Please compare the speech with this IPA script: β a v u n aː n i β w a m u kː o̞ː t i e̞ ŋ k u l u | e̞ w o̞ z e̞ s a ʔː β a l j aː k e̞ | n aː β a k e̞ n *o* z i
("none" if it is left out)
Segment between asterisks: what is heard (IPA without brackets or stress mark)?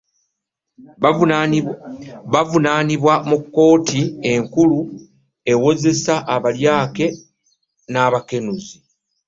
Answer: u